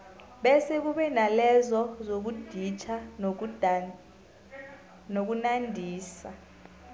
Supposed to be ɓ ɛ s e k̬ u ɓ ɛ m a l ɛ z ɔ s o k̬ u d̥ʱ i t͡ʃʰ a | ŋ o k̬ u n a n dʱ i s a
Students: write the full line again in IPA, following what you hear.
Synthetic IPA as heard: ɓ ɛ s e k̬ u ɓ ɛ n a l ɛ z ɔ z o k̬ u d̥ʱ i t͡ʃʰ a | n o k̬ u n a n dʱ iː s a

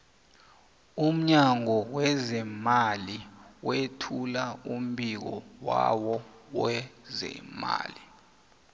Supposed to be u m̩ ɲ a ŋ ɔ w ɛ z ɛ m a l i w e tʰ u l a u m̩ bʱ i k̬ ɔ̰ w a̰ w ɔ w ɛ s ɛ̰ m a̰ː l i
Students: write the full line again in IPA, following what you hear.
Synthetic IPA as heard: u m̩ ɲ a ŋ ɔ w ɛ z ɛ m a l i w e tʰ u l a u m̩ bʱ i k̬ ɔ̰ w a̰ w ɔ w ɛ z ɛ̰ m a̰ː l i

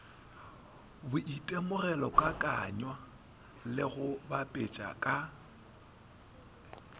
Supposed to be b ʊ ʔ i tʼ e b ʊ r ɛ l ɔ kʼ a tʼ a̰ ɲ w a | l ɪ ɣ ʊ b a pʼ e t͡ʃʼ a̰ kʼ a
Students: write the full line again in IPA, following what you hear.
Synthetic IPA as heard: b ʊ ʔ i tʼ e m ʊ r ɛ l ɔ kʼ a kʼ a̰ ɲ w a | l ɪ ɣ ʊ b a pʼ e t͡ʃʼ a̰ kʼ a

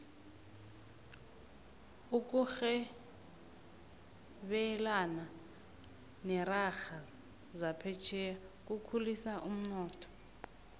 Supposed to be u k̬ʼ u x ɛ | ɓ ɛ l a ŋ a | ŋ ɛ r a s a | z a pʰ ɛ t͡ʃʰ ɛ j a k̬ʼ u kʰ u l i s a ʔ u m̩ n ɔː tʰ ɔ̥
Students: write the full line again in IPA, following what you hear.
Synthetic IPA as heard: u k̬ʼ u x ɛ | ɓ ɛ l a n a | n ɛ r a x a | z a pʰ ɛ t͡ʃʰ ɛ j a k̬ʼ u kʰ u l i s a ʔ u m̩ n ɔː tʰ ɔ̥

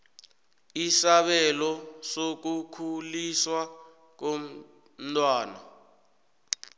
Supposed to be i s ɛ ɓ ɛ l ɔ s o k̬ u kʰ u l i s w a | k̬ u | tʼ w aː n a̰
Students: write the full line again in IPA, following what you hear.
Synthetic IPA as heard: i s a ɓ ɛ l ɔ s o k̬ u kʰ u l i s w a | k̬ o | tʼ w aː n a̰

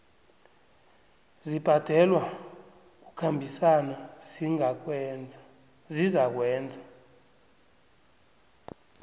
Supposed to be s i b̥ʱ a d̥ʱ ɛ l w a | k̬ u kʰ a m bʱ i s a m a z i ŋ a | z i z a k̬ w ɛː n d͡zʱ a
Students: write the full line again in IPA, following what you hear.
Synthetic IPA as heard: z i b̥ʱ a d̥ʱ ɛ l w a | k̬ u kʰ a m bʱ i s a n a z i ŋ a | z i z a k̬ w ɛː n d͡zʱ a

